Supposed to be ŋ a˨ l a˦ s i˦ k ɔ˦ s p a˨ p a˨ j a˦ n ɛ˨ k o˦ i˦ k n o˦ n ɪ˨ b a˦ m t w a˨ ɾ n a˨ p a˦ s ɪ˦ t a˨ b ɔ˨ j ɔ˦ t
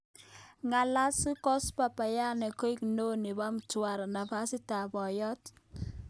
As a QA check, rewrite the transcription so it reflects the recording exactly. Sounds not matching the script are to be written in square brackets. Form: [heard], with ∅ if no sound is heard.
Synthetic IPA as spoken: ŋ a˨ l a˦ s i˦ k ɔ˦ s p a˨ p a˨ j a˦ n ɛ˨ k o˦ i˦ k n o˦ n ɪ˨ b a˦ m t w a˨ ɾ n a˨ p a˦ s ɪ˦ t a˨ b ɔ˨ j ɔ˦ t

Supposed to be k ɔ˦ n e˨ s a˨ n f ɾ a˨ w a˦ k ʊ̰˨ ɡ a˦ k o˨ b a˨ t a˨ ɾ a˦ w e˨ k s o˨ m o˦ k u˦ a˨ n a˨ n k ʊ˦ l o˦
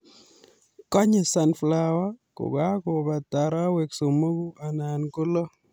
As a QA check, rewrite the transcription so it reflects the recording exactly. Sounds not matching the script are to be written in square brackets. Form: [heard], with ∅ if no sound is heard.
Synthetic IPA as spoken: k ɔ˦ [ɲ] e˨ s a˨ n f [l] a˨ w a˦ k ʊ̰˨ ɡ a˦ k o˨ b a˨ t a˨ ɾ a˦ w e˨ k s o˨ m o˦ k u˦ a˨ n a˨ n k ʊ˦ l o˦

